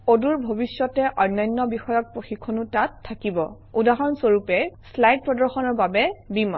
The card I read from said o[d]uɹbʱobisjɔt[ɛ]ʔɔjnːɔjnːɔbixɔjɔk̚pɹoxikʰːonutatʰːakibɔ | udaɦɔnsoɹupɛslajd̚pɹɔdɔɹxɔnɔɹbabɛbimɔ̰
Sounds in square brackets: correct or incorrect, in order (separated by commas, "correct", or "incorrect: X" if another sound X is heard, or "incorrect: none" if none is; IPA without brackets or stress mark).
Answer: correct, correct